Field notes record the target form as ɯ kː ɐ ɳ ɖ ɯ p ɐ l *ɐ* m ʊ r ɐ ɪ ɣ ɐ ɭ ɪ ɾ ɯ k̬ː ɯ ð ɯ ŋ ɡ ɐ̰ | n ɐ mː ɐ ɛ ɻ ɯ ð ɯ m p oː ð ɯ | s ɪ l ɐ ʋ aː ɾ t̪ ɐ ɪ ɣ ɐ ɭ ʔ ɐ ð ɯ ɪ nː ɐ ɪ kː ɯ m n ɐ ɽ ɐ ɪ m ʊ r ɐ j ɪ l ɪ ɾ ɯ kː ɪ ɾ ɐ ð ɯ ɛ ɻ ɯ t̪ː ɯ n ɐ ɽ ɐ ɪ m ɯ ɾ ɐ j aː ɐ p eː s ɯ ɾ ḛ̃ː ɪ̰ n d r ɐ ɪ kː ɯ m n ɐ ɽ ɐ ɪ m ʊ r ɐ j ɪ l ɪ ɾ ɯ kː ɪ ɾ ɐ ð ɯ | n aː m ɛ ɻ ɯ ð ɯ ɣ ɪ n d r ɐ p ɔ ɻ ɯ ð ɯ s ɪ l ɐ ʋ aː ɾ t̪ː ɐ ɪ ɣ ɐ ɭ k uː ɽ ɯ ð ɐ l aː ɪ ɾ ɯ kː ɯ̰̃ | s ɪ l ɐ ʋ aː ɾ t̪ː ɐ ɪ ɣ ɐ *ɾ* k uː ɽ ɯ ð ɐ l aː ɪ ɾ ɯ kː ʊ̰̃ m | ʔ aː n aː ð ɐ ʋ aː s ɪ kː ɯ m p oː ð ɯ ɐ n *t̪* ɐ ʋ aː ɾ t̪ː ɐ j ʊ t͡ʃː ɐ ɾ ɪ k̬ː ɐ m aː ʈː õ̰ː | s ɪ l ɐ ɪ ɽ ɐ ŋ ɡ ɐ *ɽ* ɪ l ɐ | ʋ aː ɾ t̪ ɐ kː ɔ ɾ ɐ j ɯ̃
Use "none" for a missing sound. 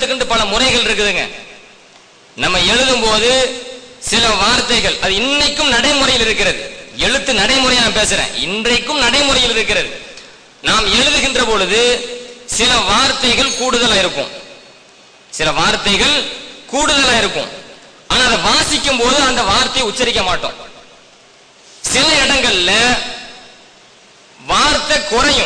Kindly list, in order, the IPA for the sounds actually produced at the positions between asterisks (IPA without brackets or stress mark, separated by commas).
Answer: ɐ, ɭ, d̪, ɭ